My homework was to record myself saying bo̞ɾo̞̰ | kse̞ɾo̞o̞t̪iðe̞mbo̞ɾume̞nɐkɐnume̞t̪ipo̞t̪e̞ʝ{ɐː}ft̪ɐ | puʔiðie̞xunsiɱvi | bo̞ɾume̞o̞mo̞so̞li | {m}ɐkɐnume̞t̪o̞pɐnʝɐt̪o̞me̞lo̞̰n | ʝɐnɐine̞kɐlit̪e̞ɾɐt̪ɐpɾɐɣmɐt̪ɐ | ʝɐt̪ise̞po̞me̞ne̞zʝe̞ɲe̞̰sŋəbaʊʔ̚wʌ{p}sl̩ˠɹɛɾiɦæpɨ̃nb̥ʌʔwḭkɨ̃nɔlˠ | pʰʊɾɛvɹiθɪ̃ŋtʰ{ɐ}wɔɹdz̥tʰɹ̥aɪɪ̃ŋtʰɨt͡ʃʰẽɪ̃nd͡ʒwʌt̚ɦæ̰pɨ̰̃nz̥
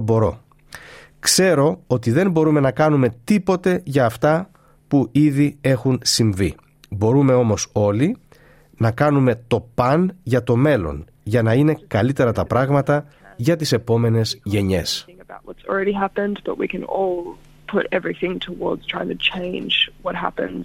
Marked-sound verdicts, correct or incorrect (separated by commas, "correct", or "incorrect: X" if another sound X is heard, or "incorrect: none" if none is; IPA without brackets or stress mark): correct, incorrect: n, incorrect: t, incorrect: ə